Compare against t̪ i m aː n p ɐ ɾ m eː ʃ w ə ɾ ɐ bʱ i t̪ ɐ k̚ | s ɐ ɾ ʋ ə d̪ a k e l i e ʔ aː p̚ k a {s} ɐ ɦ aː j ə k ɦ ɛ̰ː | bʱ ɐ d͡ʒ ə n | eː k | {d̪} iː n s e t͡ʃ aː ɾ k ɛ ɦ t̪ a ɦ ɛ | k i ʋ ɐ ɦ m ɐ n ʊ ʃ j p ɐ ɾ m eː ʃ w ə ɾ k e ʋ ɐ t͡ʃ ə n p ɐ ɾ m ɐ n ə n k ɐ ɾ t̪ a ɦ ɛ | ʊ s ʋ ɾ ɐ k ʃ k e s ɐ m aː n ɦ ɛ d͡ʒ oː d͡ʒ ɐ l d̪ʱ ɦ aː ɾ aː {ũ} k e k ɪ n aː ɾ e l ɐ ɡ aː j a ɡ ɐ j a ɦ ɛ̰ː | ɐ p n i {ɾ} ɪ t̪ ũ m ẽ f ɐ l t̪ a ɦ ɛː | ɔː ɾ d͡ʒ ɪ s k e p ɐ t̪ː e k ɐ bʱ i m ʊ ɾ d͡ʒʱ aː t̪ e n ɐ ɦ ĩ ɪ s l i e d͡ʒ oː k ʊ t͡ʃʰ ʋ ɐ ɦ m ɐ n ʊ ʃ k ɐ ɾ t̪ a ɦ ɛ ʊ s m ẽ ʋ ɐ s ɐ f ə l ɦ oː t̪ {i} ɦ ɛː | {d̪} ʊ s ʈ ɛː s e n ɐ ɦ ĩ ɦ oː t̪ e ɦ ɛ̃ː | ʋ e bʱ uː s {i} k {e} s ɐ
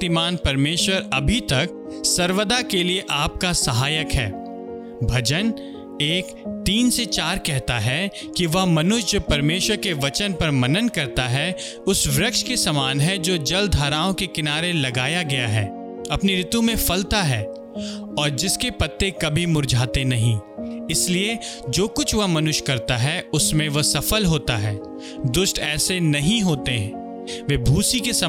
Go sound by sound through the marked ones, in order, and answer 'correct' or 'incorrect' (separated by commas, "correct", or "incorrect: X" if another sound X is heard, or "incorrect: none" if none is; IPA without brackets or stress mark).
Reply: correct, incorrect: t̪, incorrect: õ, correct, incorrect: a, correct, correct, correct